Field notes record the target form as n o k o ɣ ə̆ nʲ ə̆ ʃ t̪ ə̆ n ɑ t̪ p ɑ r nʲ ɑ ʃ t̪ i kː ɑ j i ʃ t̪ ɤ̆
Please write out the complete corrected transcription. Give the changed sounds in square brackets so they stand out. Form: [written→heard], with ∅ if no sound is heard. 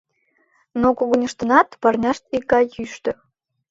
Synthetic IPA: n o k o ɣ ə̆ nʲ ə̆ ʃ t̪ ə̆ n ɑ t̪ p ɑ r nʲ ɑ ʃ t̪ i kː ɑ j [i→y] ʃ t̪ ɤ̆

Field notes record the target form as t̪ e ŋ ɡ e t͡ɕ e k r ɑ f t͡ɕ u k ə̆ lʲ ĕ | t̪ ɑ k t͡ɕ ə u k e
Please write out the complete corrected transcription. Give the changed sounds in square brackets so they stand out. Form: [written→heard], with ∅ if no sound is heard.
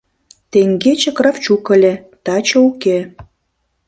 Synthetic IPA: t̪ e ŋ ɡ e t͡ɕ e k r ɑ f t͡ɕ u k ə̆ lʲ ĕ | t̪ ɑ [k→∅] t͡ɕ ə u k e

